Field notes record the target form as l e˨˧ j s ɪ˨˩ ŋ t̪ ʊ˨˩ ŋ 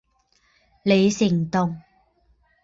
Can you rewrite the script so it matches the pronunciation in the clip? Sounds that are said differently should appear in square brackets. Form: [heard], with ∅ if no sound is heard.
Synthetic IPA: l e˨˧ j s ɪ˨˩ ŋ t̪ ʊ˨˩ ŋ